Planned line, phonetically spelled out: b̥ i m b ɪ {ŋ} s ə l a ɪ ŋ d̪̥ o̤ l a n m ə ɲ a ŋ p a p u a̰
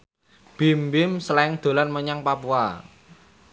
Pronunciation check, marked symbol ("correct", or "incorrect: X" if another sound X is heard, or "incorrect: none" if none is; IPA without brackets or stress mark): incorrect: m